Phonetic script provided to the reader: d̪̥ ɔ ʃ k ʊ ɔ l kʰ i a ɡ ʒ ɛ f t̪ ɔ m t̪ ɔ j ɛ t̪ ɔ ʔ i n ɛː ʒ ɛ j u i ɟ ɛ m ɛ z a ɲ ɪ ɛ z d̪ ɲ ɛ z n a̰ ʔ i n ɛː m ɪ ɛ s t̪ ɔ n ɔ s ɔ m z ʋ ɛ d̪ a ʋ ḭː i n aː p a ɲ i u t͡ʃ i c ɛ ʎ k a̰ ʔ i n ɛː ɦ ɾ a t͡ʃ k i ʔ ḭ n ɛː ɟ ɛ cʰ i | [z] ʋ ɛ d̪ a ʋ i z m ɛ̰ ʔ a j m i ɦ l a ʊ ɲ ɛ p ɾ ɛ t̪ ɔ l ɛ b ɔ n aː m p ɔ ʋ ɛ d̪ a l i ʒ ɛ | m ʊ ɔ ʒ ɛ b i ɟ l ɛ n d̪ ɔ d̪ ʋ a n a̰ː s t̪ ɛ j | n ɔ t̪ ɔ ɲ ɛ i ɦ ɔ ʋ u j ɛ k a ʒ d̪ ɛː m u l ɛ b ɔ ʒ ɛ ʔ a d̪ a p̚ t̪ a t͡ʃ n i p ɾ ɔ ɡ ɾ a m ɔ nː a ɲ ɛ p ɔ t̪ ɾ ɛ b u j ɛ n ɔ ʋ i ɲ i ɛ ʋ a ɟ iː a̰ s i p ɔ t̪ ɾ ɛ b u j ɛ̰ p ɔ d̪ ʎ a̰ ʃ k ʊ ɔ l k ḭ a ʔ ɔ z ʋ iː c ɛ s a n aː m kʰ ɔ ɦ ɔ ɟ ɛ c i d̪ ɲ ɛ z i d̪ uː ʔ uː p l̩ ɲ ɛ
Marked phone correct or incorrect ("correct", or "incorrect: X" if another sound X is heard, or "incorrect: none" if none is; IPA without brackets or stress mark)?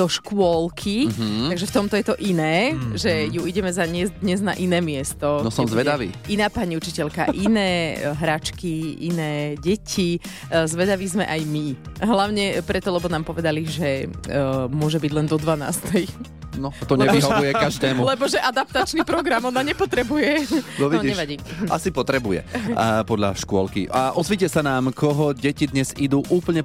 correct